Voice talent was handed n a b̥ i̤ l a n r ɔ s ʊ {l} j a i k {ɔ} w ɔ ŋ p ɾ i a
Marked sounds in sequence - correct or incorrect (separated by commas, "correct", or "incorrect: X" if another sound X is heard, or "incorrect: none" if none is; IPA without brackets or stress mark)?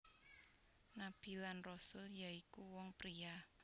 correct, incorrect: u